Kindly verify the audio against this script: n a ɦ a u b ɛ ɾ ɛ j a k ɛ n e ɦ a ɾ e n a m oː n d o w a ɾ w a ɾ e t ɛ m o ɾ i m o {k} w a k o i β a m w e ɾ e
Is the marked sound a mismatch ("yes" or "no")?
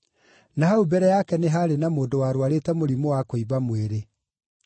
yes